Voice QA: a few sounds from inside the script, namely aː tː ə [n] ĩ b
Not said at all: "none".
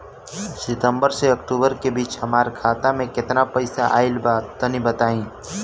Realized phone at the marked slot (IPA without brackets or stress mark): n